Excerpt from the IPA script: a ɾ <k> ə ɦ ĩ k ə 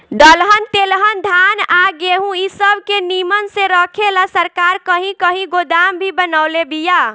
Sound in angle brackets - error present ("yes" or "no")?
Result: no